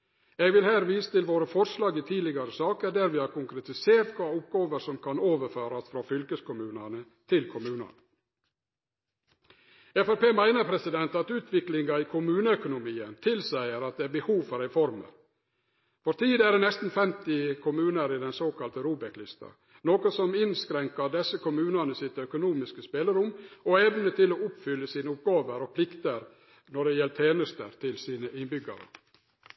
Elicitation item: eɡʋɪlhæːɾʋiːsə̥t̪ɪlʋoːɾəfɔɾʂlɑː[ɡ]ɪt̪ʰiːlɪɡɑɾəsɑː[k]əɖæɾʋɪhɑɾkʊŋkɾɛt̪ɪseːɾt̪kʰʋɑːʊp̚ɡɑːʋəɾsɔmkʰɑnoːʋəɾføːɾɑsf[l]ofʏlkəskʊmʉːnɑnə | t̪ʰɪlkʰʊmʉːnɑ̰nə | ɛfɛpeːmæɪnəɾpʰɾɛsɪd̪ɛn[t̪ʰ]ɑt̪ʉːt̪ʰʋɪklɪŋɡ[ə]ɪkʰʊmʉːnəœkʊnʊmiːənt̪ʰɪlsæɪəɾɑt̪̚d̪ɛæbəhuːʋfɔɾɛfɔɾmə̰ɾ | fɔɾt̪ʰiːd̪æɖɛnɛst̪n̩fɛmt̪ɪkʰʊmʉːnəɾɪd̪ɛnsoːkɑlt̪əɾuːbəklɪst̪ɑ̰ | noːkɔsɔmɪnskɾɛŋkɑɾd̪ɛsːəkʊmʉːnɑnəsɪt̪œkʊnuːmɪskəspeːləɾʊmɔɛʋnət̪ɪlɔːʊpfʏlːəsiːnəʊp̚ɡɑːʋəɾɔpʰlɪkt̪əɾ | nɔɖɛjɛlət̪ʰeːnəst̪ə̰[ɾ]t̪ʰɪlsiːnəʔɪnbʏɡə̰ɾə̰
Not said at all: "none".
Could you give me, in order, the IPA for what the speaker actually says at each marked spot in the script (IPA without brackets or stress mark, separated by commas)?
ɡ, k, ɾ, t̪, ɑ, ɾ